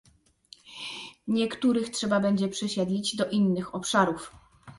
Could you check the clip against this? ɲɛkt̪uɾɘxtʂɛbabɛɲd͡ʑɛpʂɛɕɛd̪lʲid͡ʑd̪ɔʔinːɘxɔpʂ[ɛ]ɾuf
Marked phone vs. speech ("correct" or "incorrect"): incorrect